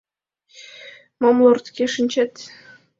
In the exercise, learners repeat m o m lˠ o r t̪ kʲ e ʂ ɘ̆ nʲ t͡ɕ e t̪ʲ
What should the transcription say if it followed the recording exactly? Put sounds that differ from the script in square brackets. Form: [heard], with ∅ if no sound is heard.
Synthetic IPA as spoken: m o m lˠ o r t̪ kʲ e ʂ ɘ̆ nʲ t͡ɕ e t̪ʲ